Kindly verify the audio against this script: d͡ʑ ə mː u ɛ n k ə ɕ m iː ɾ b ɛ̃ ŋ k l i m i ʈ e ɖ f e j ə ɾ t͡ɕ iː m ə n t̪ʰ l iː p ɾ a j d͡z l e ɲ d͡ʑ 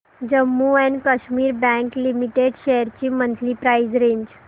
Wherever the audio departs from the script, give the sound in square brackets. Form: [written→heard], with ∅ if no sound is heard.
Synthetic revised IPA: d͡ʑ ə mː u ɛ n k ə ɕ m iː ɾ b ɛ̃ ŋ k l i m i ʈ e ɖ [f→ɕ] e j ə ɾ t͡ɕ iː m ə n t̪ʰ l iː p ɾ a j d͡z [l→ɾ] e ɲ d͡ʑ